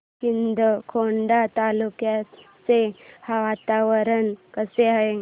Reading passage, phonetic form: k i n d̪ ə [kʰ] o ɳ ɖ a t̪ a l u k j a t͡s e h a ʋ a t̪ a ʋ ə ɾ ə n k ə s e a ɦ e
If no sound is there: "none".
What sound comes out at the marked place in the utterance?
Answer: kʰ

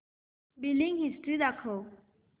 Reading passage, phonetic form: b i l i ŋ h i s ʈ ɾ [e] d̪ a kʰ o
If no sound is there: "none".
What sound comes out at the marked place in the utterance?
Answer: i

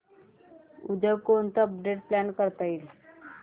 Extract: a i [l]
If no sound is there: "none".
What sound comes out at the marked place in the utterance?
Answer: l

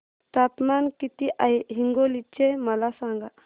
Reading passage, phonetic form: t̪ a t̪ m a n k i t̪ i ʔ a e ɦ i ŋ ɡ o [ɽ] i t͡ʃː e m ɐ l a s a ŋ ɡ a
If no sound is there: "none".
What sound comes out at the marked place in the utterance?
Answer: l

